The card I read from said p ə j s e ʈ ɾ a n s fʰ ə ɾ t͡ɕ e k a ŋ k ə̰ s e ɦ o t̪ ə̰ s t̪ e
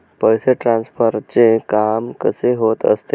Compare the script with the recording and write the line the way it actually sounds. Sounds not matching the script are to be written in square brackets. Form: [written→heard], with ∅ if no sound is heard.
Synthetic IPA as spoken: p ə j s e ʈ ɾ a n s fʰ ə ɾ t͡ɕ e k a [ŋ→m] k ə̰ s e ɦ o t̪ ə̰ s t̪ e